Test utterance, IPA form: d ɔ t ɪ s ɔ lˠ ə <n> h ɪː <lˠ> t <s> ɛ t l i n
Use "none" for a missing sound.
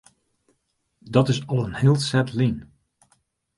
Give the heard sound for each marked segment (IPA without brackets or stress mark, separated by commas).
n, lˠ, s